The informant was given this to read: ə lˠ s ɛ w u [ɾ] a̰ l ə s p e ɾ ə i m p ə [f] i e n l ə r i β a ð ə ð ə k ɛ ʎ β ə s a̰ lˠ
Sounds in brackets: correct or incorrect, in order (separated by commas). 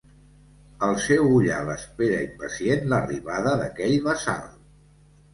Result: incorrect, incorrect